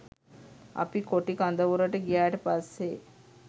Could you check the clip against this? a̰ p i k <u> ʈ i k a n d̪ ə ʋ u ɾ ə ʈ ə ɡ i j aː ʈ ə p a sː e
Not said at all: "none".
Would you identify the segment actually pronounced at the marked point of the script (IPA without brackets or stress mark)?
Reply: o